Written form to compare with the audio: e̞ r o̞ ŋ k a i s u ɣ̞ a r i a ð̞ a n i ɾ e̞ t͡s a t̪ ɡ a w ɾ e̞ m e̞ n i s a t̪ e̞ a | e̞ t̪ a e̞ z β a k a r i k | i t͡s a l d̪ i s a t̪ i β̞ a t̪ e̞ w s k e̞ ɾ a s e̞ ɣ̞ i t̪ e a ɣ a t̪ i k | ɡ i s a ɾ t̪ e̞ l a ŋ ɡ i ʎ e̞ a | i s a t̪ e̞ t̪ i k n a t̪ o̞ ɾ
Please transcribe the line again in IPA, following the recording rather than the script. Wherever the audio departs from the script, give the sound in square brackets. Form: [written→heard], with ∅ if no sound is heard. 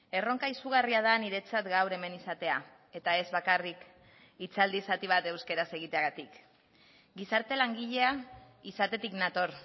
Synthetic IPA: e̞ r o̞ ŋ k a i s u ɣ̞ a r i a ð̞ a n i ɾ e̞ t͡s a t̪ ɡ a w ɾ e̞ m e̞ n i s a t̪ e̞ a | e̞ t̪ a e̞ z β a k a r i k | i t͡s a l d̪ i s a t̪ i β̞ a t̪ e̞ w s k e̞ ɾ a s e̞ ɣ̞ i t̪ e a ɣ a t̪ i k | ɡ i s a ɾ t̪ e̞ l a ŋ ɡ i ʎ e̞ a | i s a t̪ e̞ t̪ i k n a t̪ o̞ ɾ